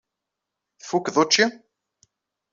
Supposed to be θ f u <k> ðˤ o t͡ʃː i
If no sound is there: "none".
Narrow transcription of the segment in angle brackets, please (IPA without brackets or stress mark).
k